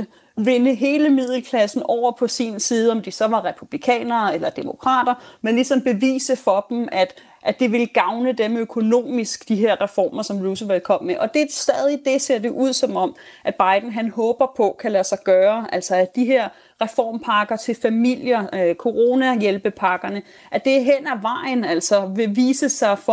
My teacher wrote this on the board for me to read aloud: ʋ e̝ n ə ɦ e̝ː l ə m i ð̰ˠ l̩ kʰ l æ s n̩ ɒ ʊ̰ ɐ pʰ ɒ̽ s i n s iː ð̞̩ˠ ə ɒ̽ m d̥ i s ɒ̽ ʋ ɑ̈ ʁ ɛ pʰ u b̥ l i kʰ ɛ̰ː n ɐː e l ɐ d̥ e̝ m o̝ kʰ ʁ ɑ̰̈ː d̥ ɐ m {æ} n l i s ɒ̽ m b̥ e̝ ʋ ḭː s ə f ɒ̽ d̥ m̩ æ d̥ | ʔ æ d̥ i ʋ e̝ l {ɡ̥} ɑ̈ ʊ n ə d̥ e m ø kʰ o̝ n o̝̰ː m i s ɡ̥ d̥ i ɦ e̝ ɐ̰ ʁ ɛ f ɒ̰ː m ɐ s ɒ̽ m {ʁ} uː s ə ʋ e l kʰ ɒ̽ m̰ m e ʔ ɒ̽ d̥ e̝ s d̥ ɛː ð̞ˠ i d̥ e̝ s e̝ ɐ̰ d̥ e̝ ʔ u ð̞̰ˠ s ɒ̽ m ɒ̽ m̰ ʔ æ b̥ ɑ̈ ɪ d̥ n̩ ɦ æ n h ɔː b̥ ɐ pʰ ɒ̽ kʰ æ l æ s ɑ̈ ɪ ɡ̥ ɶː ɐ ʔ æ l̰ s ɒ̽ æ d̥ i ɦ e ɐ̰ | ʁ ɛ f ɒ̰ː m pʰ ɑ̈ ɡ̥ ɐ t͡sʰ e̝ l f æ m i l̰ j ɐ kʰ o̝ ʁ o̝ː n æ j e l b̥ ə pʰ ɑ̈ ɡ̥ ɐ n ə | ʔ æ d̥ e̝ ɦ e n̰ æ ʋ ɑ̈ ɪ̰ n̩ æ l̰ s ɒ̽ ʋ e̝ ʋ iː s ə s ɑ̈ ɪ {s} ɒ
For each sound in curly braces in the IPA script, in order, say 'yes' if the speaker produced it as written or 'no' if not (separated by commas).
no, yes, yes, no